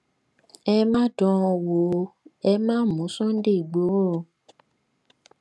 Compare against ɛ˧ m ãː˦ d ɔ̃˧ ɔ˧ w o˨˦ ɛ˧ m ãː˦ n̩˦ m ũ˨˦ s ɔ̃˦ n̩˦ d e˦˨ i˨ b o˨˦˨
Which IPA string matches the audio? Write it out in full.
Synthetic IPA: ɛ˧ m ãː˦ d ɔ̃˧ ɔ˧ w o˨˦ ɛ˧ m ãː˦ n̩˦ m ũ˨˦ s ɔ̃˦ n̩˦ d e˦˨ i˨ ɡ͡b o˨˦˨